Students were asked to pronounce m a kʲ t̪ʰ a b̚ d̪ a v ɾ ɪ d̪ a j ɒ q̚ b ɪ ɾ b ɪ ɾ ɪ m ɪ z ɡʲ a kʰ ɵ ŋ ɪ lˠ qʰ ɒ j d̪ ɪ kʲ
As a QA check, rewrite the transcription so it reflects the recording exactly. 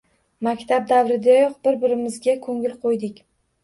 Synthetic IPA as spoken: m a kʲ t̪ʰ a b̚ d̪ a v ɾ ɪ d̪ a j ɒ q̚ b ɪ ɾ b ɪ ɾ ɪ m ɪ z ɡʲ a kʰ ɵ ŋ ɪ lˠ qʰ o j d̪ ɪ kʲ